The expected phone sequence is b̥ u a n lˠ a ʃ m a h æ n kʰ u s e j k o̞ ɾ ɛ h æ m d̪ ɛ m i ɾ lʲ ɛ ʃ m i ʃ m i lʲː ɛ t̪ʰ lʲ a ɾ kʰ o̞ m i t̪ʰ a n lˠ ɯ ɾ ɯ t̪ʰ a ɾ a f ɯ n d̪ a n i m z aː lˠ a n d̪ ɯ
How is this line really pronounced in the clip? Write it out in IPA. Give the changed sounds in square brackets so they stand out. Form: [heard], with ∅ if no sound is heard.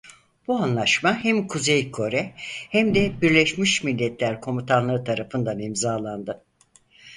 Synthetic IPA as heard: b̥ u a n lˠ a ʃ m a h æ [m] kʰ u [z] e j [kʰ] o̞ ɾ ɛ h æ m d̪ ɛ [b] i ɾ lʲ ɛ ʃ m i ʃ m i lʲː ɛ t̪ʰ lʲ [æ] ɾ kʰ o̞ m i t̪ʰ a n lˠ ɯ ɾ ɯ t̪ʰ a ɾ a f ɯ n d̪ a n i m z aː lˠ a n d̪ ɯ

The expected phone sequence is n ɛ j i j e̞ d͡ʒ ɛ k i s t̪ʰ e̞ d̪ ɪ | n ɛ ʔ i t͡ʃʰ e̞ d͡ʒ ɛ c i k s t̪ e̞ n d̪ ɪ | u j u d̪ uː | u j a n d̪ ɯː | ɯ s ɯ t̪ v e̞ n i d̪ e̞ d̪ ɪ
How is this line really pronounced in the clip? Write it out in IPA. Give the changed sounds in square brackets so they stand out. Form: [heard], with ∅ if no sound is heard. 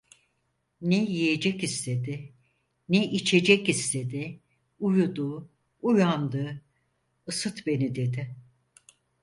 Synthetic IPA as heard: n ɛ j i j e̞ d͡ʒ ɛ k i s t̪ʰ e̞ d̪ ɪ | n ɛ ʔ i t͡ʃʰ e̞ d͡ʒ ɛ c i [∅] s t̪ e̞ [∅] d̪ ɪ | u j u d̪ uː | u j a n d̪ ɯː | ɯ s ɯ t̪ [b] e̞ n i d̪ e̞ d̪ ɪ

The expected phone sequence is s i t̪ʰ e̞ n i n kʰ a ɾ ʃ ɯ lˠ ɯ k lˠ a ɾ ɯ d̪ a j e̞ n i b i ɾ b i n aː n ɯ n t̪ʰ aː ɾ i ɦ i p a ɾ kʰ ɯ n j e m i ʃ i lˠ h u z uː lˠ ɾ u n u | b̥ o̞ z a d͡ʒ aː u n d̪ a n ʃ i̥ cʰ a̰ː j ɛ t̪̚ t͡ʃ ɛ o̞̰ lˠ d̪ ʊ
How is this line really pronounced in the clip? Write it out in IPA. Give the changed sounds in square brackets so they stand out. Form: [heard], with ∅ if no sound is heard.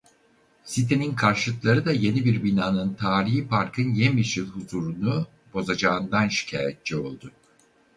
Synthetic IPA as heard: s i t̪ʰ e̞ n i n kʰ a ɾ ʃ ɯ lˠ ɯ k lˠ a ɾ ɯ d̪ a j e̞ n i b i ɾ b i n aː n ɯ n t̪ʰ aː ɾ i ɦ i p a ɾ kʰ ɯ n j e m i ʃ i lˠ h u z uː [∅] ɾ u n u | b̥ o̞ z a d͡ʒ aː [ɯ] n d̪ a n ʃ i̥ cʰ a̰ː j ɛ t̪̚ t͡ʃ ɛ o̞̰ lˠ d̪ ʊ

